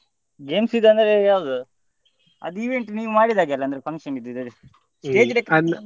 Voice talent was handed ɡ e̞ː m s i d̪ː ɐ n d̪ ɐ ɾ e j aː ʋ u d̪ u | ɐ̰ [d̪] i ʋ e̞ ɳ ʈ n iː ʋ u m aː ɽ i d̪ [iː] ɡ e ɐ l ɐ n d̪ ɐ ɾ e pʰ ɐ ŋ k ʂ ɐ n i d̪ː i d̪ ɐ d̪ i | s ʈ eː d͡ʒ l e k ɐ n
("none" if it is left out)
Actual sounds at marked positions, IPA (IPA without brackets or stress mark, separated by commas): d̪, aː